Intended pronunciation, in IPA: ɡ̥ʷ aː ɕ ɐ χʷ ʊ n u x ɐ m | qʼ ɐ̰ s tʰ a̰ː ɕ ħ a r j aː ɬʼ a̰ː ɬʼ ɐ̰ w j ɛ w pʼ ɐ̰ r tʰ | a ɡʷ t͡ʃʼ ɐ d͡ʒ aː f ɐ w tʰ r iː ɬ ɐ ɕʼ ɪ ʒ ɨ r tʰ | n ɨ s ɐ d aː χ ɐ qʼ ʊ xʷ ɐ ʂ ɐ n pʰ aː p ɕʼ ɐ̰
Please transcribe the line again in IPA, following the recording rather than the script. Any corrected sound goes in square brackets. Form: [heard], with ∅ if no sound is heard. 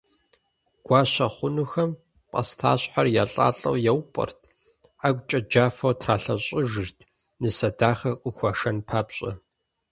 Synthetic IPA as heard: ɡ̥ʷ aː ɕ ɐ χʷ ʊ n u x ɐ m | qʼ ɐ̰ s tʰ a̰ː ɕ ħ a r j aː ɬʼ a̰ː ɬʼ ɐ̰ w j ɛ w pʼ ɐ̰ r tʰ | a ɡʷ t͡ʃʼ ɐ d͡ʒ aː f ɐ w tʰ r [aː] ɬ ɐ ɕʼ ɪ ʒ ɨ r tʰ | n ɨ s ɐ d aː χ ɐ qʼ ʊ xʷ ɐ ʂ ɐ n pʰ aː p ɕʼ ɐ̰